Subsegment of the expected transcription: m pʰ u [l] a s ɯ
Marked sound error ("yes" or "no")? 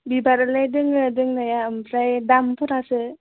yes